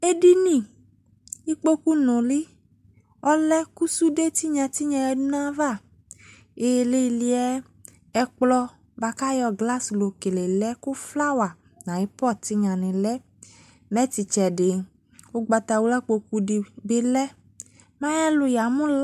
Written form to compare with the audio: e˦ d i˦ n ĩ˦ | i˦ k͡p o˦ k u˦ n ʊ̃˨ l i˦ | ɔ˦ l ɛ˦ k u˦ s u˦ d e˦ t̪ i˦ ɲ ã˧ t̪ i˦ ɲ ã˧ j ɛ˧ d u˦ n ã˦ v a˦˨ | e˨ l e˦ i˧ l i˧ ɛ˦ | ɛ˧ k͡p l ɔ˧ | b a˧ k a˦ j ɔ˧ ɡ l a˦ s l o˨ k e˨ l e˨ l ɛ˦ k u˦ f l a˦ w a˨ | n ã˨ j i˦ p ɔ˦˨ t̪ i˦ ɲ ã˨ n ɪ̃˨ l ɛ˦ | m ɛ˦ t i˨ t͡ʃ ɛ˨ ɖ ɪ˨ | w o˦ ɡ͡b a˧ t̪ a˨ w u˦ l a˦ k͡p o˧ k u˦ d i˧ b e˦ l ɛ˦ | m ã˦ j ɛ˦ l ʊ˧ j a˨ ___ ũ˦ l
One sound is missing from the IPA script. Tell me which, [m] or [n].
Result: m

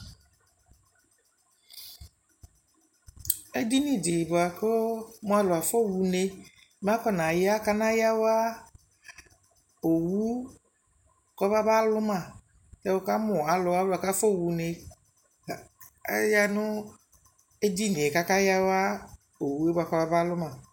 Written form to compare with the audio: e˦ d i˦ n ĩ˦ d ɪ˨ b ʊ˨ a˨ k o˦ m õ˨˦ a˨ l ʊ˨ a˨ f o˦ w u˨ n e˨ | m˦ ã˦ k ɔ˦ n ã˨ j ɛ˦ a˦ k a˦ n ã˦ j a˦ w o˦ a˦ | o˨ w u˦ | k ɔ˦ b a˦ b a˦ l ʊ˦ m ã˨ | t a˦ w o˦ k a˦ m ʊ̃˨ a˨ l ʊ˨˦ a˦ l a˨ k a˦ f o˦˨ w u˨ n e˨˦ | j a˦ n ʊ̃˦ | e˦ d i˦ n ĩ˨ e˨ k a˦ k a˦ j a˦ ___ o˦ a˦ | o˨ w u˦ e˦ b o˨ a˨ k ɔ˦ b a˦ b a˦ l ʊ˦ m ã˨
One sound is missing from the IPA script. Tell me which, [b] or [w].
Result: w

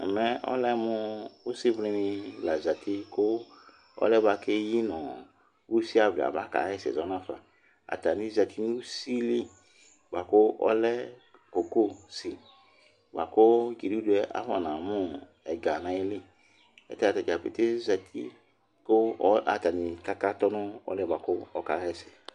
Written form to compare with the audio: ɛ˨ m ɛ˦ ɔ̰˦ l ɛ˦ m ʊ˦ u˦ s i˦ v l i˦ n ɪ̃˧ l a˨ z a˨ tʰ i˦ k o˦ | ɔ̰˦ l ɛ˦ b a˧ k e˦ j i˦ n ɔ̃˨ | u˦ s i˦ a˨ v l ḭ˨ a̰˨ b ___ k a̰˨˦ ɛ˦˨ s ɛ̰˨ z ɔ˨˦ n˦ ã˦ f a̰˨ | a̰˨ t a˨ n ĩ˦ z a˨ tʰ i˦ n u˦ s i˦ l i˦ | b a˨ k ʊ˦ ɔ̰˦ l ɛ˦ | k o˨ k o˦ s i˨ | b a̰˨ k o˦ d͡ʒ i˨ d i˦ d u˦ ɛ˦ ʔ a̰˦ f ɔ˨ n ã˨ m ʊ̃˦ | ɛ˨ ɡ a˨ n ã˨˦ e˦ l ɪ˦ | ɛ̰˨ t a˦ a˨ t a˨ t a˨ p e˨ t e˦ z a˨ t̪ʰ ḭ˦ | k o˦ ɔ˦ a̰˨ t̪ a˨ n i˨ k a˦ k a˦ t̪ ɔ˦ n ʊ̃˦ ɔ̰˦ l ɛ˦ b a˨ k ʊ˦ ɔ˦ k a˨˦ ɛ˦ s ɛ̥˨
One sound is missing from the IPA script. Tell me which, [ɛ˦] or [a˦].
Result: a˦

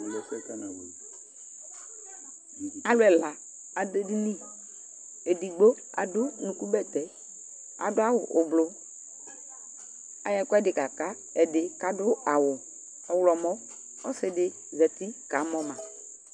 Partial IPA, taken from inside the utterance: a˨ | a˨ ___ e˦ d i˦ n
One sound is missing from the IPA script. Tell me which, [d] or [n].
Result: d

